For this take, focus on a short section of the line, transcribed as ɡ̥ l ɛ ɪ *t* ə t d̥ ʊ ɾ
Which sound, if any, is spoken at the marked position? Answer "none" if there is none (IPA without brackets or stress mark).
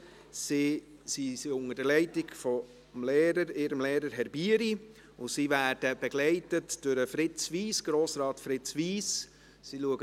t